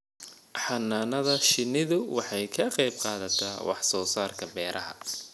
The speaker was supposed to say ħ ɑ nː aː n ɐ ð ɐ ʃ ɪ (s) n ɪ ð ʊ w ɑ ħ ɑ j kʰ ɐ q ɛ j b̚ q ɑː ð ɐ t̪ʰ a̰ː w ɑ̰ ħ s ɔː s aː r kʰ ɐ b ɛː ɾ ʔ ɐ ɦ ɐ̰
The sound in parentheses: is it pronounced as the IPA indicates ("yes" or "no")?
no